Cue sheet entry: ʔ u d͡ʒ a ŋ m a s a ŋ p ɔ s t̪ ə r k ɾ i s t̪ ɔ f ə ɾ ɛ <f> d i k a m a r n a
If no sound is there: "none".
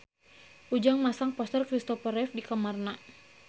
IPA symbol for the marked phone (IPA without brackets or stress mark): f